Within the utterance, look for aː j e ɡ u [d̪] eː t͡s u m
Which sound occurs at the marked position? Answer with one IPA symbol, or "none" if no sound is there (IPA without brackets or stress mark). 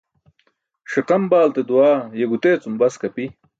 t̪